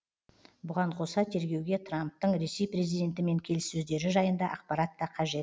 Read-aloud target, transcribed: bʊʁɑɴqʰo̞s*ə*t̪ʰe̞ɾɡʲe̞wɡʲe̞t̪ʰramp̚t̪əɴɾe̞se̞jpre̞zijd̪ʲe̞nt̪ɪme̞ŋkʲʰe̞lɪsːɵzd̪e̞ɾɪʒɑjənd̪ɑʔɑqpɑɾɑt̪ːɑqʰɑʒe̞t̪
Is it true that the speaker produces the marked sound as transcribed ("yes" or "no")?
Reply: no